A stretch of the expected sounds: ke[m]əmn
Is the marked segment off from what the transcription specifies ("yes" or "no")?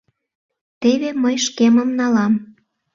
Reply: no